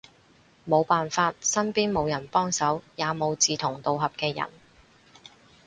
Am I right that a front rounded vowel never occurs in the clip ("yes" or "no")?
yes